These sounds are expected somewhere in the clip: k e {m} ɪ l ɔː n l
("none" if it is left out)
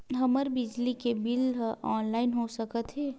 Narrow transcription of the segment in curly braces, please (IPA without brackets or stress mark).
b